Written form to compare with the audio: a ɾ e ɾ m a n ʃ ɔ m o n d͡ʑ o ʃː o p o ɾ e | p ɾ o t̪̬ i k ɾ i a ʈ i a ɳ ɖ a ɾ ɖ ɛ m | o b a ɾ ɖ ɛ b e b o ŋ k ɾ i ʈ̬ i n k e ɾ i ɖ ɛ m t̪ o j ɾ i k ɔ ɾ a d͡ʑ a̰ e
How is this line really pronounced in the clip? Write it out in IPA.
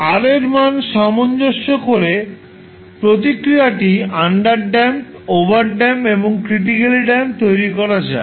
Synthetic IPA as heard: a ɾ e ɾ m a n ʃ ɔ m o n d͡ʑ o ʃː o k o ɾ e | p ɾ o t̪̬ i k ɾ i a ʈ i a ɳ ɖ a ɾ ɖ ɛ m | o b a ɾ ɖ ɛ m e b o ŋ k ɾ i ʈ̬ i k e l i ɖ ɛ m t̪ o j ɾ i k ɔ ɾ a d͡ʑ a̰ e